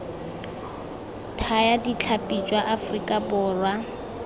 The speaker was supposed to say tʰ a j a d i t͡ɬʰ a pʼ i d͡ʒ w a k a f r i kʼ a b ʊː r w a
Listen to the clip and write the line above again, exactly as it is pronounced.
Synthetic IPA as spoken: tʰ a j a d i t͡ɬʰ a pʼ i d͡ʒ w a ʔ a f r i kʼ a b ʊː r w a